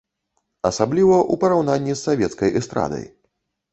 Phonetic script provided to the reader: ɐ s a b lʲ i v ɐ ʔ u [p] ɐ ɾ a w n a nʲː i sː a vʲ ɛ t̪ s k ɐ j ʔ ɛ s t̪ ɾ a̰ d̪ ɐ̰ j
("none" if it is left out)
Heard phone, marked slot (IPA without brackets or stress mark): p